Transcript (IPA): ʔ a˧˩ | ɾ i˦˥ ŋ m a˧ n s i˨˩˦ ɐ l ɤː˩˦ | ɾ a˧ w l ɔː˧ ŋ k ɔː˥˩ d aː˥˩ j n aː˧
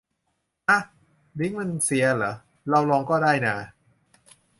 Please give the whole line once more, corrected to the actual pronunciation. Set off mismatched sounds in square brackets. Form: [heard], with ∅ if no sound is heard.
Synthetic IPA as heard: ʔ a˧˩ | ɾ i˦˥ ŋ m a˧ n s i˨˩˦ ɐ l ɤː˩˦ | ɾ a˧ w l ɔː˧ ŋ k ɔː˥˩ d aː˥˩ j n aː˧